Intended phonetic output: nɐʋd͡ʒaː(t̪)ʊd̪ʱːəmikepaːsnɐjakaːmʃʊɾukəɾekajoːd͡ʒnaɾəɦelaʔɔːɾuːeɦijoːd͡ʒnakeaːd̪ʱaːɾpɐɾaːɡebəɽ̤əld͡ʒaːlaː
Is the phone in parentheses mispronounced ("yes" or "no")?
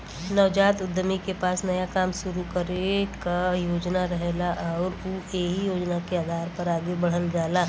no